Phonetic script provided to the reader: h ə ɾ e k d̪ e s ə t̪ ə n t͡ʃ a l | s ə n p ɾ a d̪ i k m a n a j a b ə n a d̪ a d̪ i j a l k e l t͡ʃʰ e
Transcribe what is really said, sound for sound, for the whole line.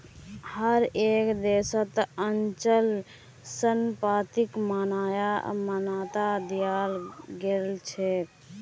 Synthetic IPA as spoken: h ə ɾ e k d̪ e s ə t̪ ə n t͡ʃ ə l | s ə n p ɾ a t̪ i k m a n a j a m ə n a t̪ a d̪ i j a l ɡ e l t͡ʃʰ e